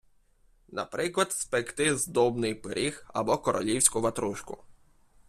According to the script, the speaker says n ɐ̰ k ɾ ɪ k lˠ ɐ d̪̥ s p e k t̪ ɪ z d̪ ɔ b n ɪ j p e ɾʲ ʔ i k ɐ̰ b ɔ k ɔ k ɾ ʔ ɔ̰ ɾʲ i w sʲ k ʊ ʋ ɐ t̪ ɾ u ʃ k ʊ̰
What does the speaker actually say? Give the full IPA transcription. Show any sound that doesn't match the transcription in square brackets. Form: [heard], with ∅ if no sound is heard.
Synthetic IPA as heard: n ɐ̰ [p] ɾ ɪ k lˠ ɐ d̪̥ s p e k t̪ ɪ z d̪ ɔ b n ɪ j p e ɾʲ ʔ i [x] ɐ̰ b ɔ k ɔ [∅] ɾ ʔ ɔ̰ [lʲ] i w sʲ k ʊ ʋ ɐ t̪ ɾ u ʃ k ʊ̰

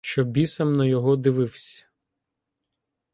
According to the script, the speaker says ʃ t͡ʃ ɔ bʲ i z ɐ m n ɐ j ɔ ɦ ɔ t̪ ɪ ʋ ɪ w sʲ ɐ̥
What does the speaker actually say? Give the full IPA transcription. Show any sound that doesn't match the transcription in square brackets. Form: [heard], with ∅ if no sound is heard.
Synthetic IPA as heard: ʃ t͡ʃ ɔ bʲ i [s] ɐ m n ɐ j ɔ ɦ ɔ [d̪] ɪ ʋ ɪ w sʲ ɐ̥

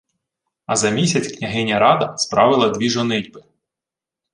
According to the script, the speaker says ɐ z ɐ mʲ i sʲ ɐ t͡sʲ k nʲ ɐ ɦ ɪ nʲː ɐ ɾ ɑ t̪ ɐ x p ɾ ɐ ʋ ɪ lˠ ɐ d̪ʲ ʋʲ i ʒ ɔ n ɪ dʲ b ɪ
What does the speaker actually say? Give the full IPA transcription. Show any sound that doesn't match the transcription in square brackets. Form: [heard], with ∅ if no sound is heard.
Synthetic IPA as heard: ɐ z ɐ mʲ i sʲ ɐ t͡sʲ k nʲ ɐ ɦ ɪ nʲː ɐ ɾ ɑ [d̪] ɐ [s] p ɾ [ɑ] ʋ ɪ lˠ ɐ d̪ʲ ʋʲ i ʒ ɔ n ɪ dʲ b ɪ

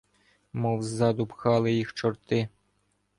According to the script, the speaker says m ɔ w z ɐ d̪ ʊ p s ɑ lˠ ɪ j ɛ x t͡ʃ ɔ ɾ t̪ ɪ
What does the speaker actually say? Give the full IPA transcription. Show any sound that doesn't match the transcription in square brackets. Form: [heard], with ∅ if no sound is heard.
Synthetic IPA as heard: m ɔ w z [ɑ] d̪ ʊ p [x] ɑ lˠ ɪ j [i] x t͡ʃ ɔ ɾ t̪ ɪ

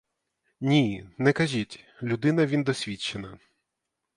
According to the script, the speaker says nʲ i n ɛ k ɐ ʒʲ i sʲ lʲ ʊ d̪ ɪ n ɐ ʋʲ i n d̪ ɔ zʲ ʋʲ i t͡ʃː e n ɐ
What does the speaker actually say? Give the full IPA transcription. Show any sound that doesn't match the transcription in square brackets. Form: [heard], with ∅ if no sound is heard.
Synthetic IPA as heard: nʲ i n ɛ k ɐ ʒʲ i [tʲ] lʲ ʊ d̪ ɪ n ɐ ʋʲ i n d̪ ɔ [sʲ] ʋʲ i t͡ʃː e n ɐ

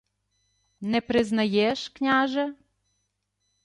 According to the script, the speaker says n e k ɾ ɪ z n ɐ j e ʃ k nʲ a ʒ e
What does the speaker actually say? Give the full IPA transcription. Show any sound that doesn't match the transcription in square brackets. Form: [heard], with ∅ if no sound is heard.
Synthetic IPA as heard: n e [p] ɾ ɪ z n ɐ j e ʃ k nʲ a ʒ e

